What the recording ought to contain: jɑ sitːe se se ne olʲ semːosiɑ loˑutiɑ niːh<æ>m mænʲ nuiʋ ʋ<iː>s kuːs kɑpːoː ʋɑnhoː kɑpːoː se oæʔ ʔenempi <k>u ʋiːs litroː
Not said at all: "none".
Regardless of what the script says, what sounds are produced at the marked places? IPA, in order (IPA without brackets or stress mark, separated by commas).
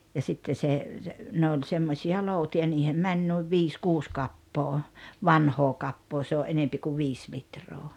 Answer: e, iː, k